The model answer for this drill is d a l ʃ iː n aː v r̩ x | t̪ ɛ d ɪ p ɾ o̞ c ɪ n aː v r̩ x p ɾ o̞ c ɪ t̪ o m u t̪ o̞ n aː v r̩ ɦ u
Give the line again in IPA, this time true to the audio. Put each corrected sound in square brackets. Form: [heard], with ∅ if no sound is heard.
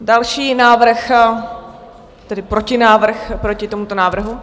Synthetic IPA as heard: d a l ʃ iː n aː v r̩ x | t̪ ɛ d ɪ p ɾ o̞ c ɪ n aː v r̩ x p ɾ o̞ c ɪ t̪ o m u t̪ o̞ n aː v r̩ ɦ u